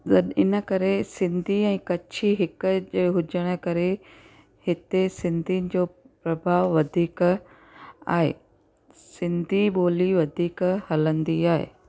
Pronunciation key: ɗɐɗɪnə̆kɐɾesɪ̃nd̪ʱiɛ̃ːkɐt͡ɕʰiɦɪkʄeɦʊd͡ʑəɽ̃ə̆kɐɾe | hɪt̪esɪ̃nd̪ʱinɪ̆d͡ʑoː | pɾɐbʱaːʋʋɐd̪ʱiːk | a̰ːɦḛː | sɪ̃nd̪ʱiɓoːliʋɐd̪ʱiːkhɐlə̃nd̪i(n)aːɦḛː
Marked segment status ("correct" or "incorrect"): incorrect